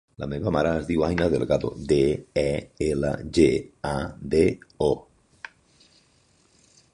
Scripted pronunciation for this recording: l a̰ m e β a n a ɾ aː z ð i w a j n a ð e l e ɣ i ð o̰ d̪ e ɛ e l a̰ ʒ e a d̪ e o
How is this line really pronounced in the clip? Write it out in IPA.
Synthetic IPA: l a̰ m e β a m a ɾ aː z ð i w a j n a ð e l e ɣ a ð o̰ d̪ e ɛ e l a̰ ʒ e a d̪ e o